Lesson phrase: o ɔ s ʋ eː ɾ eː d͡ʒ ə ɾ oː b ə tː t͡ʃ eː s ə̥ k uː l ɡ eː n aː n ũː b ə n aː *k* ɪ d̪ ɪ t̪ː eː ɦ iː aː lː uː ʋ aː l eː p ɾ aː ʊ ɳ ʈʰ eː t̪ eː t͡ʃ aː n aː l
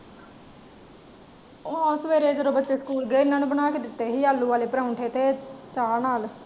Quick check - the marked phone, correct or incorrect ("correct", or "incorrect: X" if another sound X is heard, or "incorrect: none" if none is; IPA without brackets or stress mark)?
correct